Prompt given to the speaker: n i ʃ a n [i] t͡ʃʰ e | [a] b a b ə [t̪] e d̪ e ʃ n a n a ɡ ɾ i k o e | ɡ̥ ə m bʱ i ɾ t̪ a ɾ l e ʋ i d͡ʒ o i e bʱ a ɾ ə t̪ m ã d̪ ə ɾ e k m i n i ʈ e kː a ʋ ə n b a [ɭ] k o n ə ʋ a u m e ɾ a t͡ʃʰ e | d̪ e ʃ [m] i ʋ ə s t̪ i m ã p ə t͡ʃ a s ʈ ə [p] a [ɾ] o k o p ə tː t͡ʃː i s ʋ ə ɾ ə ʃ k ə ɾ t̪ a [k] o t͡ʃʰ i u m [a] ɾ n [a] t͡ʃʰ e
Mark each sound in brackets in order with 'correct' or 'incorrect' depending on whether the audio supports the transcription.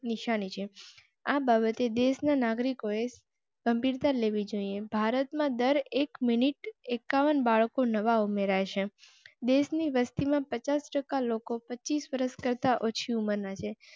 correct, correct, correct, correct, incorrect, incorrect, incorrect, incorrect, incorrect, correct

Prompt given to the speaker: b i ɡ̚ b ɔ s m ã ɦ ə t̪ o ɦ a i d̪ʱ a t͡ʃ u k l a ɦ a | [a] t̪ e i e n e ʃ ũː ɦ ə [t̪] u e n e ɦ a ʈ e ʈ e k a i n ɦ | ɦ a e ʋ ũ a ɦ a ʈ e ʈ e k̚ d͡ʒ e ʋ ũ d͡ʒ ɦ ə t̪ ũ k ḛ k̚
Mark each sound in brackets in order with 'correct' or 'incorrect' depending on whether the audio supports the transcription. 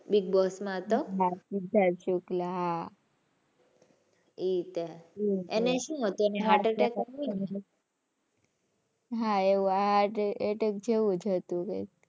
incorrect, correct

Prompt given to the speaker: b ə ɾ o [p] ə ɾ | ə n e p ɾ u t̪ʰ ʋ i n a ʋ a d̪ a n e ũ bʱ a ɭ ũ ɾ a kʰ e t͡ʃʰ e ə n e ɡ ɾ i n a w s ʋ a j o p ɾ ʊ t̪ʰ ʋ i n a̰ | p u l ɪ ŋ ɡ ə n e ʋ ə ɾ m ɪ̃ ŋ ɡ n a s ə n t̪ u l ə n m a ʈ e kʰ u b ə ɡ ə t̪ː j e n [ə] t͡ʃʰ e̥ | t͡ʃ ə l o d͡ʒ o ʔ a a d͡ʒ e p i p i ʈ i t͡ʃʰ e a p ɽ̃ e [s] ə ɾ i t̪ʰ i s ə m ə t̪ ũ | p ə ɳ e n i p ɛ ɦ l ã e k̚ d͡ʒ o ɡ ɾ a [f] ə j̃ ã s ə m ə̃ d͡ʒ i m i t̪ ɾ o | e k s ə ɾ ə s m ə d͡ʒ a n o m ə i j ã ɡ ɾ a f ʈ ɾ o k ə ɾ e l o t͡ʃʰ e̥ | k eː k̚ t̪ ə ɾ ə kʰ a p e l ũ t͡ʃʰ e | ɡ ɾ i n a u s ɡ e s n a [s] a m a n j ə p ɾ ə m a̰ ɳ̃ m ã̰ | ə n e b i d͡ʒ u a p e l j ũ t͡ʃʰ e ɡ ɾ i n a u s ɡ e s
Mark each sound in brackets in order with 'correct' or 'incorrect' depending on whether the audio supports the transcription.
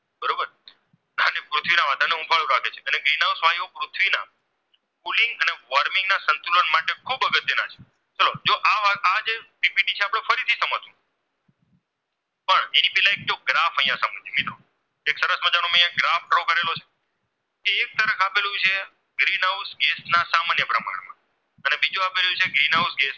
incorrect, incorrect, incorrect, correct, correct

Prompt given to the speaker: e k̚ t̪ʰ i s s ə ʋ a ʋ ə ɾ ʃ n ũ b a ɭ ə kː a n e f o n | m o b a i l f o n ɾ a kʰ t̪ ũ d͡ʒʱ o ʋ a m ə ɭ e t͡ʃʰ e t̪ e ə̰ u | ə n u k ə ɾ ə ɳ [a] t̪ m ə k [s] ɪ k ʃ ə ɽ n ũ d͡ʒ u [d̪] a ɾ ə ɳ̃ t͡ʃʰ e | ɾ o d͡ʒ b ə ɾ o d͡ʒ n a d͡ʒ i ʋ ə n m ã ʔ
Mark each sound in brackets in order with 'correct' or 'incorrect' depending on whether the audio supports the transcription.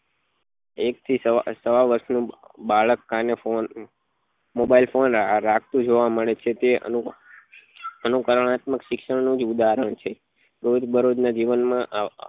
correct, incorrect, correct

